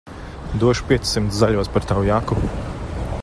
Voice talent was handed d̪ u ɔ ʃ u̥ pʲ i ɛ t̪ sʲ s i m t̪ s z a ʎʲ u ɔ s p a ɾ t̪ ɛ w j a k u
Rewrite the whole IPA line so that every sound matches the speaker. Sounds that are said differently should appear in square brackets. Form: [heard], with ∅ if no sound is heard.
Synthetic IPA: d̪ u ɔ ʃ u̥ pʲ i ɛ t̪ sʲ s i m t̪ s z a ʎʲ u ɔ s p a ɾ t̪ [a] w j a k u